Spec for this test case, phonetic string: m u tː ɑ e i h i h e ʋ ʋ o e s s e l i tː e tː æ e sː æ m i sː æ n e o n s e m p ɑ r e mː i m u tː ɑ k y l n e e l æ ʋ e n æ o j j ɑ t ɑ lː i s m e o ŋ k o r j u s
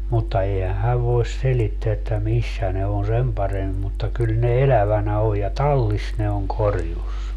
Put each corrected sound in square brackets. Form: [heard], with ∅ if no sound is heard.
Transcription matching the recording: m u tː ɑ e i h [æ] h [æ] ʋ ʋ o e s s e l i tː e [∅] æ e [tː] æ m i sː æ n e o n s e m p ɑ r e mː i m u tː ɑ k y l n e e l æ ʋ [æ] n æ o j j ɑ t ɑ lː i s [n] e o ŋ k o r j u s